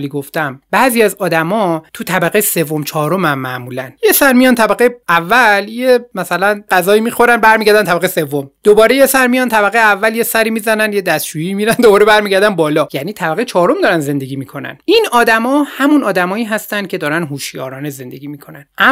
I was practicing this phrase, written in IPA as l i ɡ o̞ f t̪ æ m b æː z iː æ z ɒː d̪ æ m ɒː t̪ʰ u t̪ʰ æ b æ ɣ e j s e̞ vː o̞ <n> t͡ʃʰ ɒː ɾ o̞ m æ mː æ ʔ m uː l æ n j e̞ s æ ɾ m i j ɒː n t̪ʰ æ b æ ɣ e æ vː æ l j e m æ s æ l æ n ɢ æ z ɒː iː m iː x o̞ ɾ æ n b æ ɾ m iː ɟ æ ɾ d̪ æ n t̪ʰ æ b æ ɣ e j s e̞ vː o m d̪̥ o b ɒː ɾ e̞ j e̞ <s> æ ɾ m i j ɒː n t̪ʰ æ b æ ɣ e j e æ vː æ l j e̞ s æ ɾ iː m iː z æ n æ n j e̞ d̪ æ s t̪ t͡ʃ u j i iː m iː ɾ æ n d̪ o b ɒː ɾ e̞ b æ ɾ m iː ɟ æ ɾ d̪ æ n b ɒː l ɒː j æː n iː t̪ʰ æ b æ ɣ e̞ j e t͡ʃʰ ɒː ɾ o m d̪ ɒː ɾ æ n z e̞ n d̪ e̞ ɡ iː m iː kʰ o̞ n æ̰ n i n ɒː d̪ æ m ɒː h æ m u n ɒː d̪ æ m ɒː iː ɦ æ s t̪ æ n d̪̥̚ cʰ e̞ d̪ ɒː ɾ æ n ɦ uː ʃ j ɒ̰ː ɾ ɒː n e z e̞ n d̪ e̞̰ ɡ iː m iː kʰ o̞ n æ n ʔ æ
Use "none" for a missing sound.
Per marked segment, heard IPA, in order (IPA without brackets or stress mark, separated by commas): m, s